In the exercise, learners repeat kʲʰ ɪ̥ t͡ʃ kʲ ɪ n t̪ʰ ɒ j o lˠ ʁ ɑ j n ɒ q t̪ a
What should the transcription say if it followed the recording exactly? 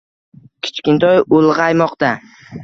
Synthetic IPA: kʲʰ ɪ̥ t͡ʃ kʲ ɪ n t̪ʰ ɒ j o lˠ ʁ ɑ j m ɒ q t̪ a